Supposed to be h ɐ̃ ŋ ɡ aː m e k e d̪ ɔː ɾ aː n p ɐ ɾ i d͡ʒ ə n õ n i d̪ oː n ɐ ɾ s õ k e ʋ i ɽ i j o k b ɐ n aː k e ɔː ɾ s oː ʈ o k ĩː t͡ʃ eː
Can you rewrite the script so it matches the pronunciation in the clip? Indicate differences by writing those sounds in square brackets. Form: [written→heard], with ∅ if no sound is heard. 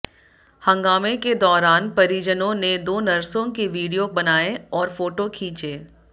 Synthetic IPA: h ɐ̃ ŋ ɡ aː m e k e d̪ ɔː ɾ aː n p ɐ ɾ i d͡ʒ ə n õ n [i→e] d̪ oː n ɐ ɾ s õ k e ʋ [i→iː] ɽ i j o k b ɐ n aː [k→∅] e ɔː ɾ [s→f] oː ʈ o [k→kʰ] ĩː t͡ʃ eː